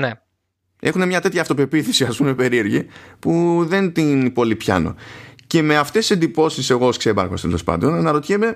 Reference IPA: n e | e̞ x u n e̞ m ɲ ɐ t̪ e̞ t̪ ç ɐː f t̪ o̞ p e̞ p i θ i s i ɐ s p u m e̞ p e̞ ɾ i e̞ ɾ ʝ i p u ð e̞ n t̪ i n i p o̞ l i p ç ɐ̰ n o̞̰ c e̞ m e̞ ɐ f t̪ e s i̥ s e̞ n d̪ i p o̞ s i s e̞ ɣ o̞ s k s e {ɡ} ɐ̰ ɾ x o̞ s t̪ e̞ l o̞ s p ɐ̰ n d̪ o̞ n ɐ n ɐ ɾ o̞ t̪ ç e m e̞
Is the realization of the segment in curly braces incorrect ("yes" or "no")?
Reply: yes